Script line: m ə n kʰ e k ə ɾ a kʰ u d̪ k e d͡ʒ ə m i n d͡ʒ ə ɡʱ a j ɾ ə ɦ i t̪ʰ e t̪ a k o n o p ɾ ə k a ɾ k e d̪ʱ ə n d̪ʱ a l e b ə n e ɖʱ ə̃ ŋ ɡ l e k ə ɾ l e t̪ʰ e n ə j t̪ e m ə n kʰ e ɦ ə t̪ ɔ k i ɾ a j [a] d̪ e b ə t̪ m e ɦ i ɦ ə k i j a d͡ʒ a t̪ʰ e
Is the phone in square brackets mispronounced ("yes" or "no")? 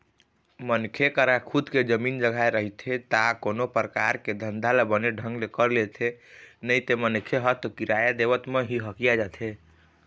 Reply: no